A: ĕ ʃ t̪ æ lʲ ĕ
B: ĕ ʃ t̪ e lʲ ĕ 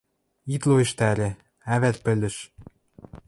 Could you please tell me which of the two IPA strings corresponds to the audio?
A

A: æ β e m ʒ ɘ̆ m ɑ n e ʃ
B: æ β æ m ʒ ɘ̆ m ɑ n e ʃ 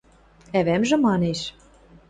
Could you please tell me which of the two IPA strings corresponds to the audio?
B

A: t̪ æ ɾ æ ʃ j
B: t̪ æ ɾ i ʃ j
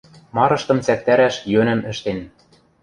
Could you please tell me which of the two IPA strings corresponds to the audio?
A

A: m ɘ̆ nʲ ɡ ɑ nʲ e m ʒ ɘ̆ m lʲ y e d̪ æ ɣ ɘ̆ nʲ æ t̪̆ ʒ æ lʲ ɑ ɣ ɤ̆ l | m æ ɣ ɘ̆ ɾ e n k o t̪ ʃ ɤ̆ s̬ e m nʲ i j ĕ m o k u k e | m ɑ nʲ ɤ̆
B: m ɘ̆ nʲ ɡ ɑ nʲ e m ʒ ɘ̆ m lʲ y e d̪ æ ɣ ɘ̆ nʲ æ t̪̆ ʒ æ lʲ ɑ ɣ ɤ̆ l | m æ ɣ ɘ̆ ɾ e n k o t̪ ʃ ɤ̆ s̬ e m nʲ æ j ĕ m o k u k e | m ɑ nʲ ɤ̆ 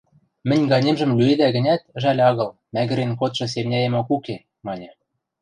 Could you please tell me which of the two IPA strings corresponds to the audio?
B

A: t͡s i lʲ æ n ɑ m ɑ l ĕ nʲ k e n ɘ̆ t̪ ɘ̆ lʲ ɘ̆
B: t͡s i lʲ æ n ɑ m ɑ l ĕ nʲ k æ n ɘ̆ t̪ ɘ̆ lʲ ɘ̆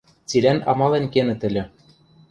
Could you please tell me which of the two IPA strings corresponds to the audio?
A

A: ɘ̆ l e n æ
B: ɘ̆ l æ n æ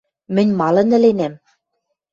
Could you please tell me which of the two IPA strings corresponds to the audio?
A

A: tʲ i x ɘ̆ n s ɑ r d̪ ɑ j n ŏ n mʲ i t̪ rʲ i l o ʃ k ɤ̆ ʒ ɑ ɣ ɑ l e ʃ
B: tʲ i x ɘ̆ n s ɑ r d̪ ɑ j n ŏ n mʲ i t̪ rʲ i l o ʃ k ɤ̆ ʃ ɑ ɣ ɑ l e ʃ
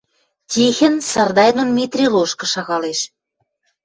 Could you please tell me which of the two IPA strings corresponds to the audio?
B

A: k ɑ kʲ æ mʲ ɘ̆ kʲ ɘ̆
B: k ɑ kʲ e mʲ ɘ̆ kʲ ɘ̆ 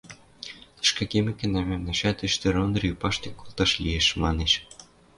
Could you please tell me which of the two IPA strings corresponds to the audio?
B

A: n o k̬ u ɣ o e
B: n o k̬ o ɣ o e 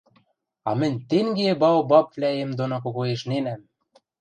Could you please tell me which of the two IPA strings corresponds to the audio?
B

